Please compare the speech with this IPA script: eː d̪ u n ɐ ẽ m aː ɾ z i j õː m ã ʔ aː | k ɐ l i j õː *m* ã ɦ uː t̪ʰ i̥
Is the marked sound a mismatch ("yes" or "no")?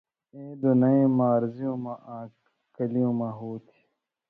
no